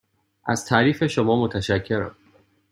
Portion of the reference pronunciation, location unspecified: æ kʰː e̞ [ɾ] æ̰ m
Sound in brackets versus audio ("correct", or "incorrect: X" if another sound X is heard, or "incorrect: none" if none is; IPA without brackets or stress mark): correct